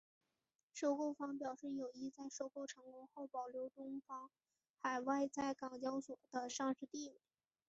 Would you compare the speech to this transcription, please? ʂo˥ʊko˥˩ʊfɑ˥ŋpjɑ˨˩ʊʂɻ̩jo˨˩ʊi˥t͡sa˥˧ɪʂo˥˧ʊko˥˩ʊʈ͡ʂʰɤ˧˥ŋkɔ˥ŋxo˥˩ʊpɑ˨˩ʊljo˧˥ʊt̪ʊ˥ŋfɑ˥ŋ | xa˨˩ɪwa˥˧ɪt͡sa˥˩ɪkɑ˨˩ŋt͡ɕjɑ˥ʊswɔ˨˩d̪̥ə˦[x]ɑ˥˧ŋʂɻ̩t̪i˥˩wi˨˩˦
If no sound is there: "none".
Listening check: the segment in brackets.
ʂ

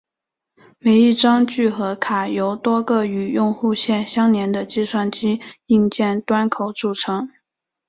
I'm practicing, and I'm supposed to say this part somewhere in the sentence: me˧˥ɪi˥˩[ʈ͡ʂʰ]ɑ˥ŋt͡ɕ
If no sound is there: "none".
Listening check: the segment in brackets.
ʈ͡ʂ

